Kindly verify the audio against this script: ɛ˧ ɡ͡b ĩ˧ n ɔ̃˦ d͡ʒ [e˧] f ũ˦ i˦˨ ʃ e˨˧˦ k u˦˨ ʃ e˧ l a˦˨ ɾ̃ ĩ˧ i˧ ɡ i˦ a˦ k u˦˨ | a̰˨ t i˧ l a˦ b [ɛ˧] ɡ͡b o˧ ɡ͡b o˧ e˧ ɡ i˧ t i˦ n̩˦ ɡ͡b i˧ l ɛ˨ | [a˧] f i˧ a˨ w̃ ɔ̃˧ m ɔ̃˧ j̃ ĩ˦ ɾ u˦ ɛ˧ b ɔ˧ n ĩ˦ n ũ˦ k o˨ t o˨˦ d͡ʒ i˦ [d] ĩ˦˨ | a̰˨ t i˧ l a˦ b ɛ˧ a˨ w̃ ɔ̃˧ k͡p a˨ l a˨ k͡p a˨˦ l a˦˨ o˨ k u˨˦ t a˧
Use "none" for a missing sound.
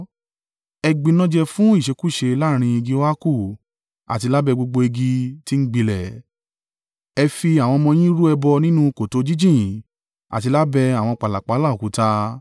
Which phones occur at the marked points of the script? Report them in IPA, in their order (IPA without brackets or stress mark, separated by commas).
ɛ˧, ɛ˧, ɛ˧, d͡ʒ